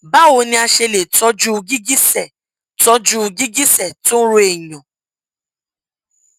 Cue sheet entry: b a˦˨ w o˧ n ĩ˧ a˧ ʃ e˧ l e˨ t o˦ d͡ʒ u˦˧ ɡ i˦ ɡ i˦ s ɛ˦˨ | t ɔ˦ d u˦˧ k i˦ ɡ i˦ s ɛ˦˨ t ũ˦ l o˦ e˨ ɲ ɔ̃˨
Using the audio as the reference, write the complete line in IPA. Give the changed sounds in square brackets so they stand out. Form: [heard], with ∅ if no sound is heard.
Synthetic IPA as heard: b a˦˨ w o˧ n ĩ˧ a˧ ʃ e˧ l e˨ t [ɔ˦] d͡ʒ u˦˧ ɡ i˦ ɡ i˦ s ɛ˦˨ | t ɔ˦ [d͡ʒ] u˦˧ [ɡ] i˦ ɡ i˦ s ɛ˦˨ t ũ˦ [ɾ] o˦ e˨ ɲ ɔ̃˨